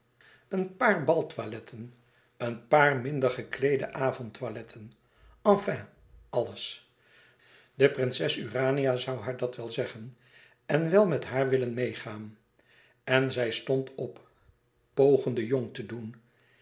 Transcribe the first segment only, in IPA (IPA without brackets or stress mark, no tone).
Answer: ə